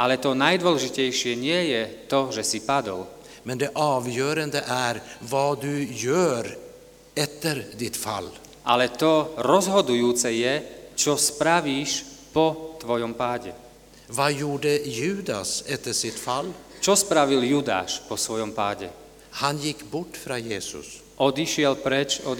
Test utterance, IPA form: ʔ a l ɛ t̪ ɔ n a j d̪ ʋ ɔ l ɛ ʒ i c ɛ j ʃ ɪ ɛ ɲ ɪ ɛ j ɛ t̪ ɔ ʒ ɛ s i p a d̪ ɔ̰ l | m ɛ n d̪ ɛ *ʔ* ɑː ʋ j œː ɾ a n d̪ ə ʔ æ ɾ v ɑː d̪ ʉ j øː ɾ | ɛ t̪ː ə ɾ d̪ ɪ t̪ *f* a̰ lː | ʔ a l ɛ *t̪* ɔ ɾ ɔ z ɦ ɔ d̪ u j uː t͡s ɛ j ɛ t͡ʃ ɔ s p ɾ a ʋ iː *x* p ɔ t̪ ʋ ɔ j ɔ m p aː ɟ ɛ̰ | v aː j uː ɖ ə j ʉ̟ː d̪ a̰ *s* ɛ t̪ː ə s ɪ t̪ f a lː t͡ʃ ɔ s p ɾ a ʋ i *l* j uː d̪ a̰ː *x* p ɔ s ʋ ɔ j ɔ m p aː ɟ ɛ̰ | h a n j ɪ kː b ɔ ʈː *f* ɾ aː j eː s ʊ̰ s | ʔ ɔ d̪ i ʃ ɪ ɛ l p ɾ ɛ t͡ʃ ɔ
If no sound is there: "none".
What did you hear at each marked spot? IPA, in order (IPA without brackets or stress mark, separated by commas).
ʔ, f, t̪, ʃ, s, l, ʃ, f